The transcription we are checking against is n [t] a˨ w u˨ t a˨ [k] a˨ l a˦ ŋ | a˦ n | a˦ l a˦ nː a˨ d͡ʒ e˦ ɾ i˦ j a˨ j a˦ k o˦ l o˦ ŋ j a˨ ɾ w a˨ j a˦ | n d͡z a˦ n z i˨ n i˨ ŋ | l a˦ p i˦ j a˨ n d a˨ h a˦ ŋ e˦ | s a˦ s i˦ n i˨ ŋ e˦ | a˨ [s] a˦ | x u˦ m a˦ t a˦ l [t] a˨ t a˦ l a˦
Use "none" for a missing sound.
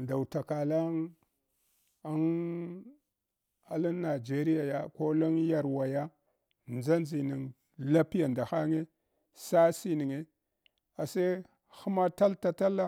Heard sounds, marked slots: d, k, s, t

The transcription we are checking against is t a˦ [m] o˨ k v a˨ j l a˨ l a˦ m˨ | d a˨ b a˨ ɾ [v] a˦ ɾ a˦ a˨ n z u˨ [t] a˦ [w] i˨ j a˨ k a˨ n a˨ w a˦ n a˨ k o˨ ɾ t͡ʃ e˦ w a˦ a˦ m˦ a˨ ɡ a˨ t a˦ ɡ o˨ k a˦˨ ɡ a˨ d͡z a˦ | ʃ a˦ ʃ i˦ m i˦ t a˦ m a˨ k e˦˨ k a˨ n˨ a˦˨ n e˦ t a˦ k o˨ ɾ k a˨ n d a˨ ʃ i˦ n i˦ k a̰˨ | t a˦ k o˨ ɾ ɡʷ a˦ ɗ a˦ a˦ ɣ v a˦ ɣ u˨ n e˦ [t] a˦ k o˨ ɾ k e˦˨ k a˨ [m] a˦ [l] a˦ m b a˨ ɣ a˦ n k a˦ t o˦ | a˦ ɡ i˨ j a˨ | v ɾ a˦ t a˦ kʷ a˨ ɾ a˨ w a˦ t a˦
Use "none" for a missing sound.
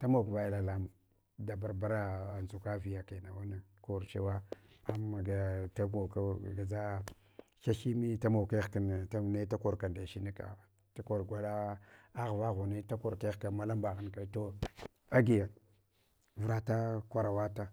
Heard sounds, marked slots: m, b, k, v, t, m, l

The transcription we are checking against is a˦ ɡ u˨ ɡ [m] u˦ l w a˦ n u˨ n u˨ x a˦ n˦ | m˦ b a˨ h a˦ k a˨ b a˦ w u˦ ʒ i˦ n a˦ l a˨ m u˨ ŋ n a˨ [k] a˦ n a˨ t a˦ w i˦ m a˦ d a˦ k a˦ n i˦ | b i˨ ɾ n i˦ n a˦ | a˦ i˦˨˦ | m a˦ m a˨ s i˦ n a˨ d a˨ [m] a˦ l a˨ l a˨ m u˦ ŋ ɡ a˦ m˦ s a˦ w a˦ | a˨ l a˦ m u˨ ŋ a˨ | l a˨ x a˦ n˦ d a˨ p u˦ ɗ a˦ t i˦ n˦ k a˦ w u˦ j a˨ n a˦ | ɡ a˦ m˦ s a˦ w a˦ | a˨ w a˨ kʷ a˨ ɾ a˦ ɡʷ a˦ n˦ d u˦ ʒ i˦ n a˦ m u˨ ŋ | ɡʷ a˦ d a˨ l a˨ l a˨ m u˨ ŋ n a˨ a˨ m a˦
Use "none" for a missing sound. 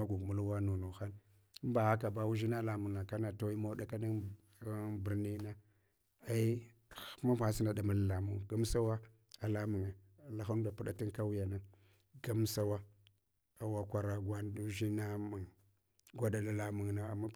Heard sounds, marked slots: m, k, m

